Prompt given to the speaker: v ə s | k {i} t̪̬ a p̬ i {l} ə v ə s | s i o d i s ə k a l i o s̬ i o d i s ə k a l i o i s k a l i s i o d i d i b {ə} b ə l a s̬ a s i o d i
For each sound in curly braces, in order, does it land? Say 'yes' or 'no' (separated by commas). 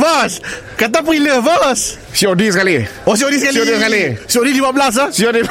no, yes, no